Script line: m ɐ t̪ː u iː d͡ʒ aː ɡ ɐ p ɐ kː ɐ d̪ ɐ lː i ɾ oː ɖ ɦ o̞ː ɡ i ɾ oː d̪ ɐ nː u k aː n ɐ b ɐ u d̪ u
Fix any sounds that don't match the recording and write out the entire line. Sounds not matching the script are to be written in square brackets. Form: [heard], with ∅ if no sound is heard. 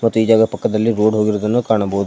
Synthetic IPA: m ɐ t̪ː u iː d͡ʒ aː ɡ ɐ p ɐ kː ɐ d̪ ɐ lː i ɾ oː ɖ ɦ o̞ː ɡ i ɾ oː d̪ ɐ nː u k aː [ɳ] ɐ b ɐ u d̪ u